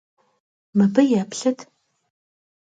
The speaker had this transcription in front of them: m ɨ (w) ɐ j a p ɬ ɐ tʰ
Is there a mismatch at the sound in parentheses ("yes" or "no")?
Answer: yes